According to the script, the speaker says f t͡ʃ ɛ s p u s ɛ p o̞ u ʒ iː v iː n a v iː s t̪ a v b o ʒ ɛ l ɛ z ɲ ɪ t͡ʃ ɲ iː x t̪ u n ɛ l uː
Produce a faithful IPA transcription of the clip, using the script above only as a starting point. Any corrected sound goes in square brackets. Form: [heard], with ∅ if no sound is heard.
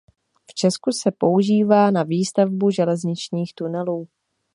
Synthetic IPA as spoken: f t͡ʃ ɛ s [k] u s ɛ p o̞ u ʒ iː v [aː] n a v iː s t̪ a v b [u] ʒ ɛ l ɛ z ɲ ɪ t͡ʃ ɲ iː x t̪ u n ɛ l uː